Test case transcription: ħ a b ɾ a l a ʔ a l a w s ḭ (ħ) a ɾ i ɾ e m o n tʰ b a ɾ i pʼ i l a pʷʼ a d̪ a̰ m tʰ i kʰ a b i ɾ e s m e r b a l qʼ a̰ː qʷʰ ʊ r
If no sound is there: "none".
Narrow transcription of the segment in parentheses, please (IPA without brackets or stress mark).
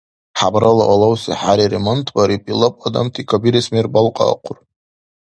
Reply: ħ